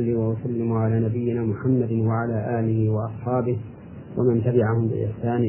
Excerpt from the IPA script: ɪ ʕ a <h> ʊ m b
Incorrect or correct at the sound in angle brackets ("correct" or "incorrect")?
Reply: correct